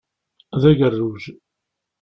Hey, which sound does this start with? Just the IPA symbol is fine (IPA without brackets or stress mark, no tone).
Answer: ð